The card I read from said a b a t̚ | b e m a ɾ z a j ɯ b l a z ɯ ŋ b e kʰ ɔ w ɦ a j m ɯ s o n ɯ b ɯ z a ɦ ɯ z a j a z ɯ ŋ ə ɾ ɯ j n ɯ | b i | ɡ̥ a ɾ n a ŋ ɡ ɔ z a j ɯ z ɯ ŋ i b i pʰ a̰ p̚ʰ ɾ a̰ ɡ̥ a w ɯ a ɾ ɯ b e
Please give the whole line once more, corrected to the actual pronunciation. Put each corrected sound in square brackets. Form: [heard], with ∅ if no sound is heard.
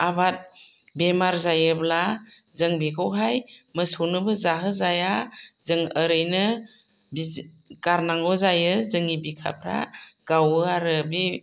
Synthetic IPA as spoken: a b a t̚ | b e m a ɾ z a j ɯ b l a z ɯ ŋ b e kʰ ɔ w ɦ a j m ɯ s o n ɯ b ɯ z a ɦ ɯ z a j a z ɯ ŋ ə ɾ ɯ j n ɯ | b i | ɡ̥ a ɾ n a ŋ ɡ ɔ z a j ɯ z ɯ ŋ i b i [kʰ] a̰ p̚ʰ ɾ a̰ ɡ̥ a w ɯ a ɾ ɯ b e